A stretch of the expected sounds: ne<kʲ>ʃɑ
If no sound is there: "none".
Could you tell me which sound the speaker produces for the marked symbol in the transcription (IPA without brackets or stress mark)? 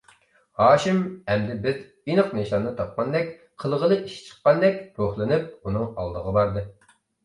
none